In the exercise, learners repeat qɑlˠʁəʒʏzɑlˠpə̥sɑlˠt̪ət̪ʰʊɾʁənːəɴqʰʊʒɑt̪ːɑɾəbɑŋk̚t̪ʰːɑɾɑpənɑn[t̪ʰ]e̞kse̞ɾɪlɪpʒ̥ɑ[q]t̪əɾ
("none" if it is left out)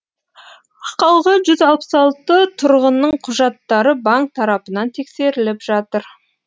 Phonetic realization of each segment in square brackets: t̪ʰ, none

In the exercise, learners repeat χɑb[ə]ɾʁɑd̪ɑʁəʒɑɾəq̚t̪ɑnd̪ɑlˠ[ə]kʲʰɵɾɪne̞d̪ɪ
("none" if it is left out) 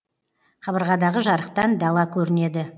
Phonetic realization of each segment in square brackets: ə, ɑ

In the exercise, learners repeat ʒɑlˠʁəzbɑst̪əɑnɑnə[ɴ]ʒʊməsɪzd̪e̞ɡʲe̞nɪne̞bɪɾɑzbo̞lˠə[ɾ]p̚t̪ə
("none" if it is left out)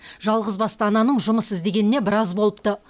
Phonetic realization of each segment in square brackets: ɴ, none

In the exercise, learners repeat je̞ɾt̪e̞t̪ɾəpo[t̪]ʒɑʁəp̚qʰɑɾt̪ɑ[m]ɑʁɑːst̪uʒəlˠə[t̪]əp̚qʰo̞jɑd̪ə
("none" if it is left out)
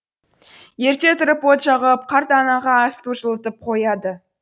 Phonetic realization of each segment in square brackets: t̪, n, t̪

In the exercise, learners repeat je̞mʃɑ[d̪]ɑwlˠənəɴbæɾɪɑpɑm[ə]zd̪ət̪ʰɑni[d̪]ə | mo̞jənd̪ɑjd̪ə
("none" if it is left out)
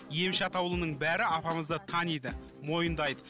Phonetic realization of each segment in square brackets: t̪, ə, d̪

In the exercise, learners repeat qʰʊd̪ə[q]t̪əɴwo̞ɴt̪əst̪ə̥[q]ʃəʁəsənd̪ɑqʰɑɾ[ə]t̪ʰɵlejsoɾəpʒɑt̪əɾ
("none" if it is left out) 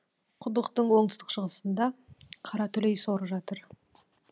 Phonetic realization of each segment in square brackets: q, q, ɑ

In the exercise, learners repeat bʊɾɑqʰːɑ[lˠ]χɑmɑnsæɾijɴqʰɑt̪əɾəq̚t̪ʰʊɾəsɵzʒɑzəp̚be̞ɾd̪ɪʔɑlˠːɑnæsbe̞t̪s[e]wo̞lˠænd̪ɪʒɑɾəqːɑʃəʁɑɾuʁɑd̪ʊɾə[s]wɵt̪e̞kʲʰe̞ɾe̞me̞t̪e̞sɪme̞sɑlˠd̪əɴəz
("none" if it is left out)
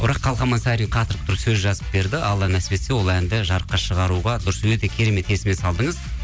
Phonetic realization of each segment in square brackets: lˠ, e, s

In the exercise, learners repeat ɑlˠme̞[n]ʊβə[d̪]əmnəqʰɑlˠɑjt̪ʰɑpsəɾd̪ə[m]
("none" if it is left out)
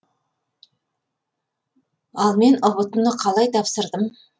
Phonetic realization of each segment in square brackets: n, t̪, m

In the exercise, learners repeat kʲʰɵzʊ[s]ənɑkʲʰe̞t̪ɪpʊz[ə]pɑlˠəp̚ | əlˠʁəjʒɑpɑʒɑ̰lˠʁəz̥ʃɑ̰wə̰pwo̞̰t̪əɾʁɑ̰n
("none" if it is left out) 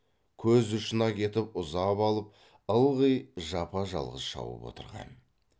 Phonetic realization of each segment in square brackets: ʃ, ɑ

